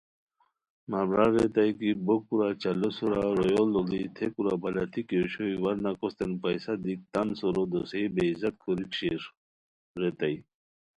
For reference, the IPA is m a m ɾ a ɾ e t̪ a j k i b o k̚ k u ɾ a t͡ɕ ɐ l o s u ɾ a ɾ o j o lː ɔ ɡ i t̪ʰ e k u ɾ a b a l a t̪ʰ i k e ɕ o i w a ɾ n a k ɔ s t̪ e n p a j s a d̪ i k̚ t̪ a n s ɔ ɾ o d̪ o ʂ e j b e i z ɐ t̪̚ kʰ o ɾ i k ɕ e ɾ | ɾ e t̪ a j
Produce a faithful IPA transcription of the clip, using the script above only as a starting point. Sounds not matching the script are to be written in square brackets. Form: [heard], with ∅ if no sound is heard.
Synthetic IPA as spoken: m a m ɾ a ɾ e t̪ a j k i b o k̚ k u ɾ a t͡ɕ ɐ l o s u ɾ a ɾ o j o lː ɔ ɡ i t̪ʰ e k u ɾ a b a l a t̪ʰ i k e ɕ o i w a ɾ n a k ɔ s t̪ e n p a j s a d̪ i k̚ t̪ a n s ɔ ɾ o d̪ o [s] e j b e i z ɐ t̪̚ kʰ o ɾ i k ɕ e ɾ | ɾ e t̪ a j